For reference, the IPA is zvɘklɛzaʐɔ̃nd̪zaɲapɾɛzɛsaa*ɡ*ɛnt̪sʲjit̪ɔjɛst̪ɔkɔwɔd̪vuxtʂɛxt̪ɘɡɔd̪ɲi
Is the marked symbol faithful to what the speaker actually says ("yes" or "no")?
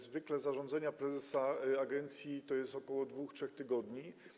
yes